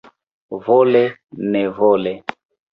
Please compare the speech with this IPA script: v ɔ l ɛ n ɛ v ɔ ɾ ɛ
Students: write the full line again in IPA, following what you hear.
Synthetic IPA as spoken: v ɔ l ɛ n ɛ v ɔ l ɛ